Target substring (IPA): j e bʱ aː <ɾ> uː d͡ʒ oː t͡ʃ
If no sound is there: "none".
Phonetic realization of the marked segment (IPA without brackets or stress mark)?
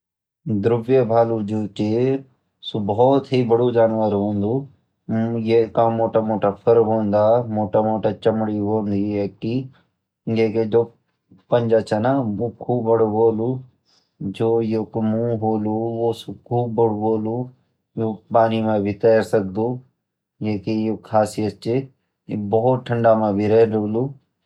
l